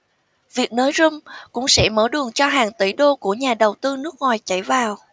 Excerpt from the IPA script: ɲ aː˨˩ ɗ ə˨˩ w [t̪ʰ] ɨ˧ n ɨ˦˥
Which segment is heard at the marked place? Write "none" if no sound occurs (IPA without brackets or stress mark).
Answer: t̪